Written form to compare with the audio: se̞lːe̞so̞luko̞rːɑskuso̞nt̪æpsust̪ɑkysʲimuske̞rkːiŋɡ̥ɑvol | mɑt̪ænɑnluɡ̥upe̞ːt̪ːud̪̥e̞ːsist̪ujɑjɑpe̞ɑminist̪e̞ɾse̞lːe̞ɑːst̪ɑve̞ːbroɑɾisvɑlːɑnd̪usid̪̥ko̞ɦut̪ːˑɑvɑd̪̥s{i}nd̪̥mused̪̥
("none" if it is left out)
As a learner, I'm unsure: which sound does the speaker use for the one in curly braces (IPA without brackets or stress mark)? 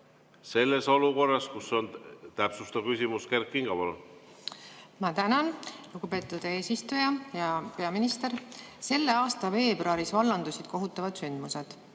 y